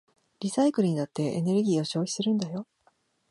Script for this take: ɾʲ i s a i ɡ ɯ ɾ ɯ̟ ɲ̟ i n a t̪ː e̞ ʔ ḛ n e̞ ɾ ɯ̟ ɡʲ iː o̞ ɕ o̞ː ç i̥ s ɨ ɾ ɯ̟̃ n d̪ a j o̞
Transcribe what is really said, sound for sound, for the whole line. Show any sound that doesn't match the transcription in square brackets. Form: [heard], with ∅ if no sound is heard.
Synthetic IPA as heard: ɾʲ i s a i [k] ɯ ɾ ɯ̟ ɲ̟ i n a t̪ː e̞ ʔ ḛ n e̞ ɾ ɯ̟ ɡʲ iː o̞ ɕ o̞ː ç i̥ s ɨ ɾ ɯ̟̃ n d̪ a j o̞